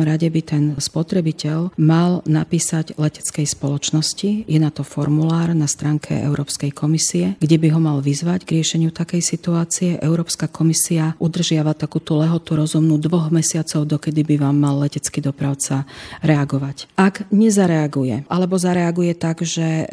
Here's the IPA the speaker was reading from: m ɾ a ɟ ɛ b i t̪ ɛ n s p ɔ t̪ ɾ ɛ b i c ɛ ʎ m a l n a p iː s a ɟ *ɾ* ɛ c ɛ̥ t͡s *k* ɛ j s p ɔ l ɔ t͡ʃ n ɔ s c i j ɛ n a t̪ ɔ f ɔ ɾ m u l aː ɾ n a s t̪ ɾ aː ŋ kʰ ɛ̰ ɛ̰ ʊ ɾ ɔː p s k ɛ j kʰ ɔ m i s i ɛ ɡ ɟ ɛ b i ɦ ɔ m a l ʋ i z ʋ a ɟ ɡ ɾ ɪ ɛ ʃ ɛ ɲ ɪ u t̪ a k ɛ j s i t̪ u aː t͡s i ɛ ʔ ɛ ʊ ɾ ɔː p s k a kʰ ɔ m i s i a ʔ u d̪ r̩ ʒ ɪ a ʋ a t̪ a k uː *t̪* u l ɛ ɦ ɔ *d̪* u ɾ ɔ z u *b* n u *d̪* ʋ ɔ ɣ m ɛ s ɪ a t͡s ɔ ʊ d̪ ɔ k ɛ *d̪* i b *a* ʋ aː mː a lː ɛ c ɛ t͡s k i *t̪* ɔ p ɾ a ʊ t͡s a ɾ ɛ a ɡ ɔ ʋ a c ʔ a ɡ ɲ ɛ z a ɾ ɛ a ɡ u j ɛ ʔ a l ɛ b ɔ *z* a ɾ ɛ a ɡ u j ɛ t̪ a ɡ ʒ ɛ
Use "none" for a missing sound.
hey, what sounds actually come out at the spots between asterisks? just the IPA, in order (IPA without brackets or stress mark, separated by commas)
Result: l, k, t̪, t̪, m, d̪, d̪, i, d̪, z